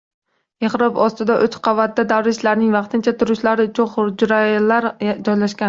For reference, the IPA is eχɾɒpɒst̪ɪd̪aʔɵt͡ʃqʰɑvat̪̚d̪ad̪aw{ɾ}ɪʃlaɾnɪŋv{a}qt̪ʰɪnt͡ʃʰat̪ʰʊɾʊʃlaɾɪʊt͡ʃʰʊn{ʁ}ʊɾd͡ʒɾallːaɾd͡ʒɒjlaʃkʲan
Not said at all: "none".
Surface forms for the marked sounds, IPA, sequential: ɾ, ɑ, χ

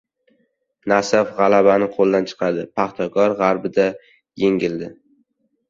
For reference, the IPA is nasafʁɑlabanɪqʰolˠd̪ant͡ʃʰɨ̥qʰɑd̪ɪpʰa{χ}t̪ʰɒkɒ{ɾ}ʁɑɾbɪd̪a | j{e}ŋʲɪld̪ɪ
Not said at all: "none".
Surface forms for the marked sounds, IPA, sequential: χ, ɾ, e

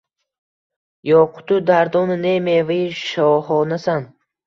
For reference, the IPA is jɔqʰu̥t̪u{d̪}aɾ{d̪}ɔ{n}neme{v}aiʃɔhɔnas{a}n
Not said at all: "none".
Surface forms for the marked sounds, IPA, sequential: d̪, d̪, n, v, a

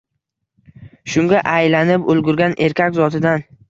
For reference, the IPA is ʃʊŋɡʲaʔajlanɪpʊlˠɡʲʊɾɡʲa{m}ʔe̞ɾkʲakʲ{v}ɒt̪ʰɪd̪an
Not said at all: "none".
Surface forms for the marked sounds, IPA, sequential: n, z

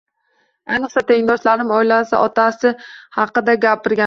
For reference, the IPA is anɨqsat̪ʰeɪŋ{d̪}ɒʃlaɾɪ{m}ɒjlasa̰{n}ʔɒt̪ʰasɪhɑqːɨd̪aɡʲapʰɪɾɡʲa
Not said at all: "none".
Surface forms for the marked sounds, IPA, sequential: d̪, m, none

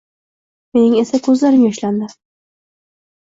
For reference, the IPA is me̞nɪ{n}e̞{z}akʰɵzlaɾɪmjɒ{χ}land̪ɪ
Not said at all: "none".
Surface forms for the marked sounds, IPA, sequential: ŋ, s, ʃ

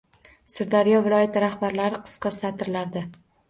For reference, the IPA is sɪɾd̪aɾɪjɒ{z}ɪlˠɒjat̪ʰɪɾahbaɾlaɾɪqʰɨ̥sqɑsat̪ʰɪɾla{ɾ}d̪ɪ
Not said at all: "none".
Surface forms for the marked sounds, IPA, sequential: v, ɾ

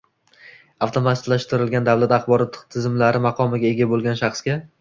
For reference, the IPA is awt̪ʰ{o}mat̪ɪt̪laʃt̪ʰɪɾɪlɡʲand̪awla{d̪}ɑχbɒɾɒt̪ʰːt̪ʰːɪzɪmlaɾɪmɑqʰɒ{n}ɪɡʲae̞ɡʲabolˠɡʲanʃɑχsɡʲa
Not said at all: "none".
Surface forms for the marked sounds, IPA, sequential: o, t̪, m

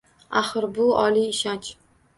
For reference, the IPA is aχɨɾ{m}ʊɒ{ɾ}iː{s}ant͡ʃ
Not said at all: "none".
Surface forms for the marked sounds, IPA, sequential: b, l, ʃ

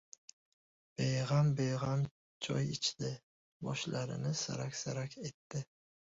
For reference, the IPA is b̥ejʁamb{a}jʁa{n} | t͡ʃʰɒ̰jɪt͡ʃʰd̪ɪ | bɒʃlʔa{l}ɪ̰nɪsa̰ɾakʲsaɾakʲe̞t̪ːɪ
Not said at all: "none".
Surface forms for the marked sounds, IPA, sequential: e, m, ɾ

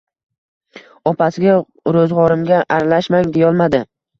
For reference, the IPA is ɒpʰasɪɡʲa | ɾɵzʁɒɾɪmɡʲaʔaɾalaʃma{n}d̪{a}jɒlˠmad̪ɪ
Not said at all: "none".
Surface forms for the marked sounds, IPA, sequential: ŋ, e

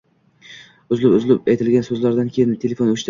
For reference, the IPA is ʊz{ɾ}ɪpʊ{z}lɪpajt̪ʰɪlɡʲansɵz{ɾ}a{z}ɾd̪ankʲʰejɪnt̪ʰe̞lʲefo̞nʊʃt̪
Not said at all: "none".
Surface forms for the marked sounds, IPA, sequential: l, z, l, none

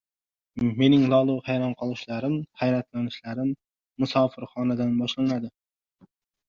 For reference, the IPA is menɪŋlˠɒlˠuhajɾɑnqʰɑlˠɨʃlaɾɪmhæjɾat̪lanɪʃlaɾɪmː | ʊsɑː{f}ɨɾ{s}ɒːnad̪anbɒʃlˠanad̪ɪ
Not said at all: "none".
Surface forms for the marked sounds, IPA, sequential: f, χ

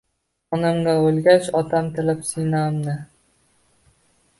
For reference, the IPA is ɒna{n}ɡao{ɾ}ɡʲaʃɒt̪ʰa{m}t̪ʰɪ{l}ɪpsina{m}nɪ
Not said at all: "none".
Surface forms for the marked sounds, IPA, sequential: m, l, m, l, m

